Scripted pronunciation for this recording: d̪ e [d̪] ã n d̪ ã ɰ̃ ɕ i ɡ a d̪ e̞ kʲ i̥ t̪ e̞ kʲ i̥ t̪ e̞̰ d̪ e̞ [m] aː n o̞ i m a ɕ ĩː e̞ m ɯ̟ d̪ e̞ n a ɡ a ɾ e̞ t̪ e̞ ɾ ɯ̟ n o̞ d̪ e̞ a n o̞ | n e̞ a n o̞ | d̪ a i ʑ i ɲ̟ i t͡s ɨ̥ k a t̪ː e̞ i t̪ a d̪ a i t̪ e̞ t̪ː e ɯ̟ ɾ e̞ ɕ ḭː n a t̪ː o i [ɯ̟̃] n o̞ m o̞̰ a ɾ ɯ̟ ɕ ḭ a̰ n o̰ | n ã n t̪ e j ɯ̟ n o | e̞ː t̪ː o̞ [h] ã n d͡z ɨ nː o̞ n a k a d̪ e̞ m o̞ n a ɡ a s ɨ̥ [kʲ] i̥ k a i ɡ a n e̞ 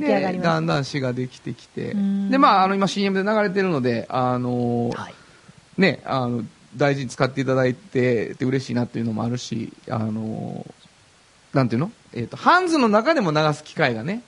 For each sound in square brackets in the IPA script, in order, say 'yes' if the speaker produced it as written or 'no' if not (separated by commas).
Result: yes, yes, no, yes, yes